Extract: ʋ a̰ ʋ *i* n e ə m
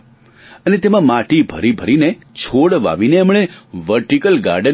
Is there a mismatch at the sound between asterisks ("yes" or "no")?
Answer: no